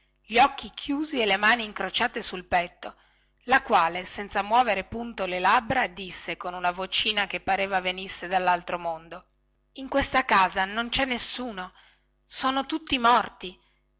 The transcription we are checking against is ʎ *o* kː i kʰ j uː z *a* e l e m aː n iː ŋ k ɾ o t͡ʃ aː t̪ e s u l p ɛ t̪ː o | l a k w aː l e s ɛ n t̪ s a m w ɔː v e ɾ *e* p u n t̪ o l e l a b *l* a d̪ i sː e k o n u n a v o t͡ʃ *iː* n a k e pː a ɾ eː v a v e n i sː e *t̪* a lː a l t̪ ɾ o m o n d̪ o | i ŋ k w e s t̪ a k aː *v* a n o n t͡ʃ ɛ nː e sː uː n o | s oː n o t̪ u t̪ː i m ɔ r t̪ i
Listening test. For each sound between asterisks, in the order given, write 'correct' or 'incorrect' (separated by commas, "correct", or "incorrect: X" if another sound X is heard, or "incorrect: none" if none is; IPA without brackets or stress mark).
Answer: incorrect: ɔ, incorrect: i, correct, incorrect: ɾ, correct, incorrect: d̪, incorrect: z